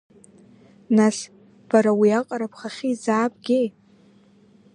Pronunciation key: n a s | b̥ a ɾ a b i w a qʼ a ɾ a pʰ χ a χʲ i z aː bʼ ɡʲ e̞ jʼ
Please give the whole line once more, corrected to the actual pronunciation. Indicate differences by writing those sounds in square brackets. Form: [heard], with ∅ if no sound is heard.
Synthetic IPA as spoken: n a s | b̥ a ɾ a [w] i [∅] a qʼ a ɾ a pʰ χ a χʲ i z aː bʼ ɡʲ e̞ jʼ